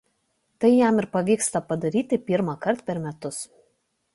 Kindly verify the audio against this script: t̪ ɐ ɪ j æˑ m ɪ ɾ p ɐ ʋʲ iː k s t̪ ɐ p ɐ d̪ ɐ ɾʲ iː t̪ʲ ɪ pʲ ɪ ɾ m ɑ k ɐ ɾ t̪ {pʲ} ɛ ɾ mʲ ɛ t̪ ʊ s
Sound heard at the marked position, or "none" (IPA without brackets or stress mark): pʲ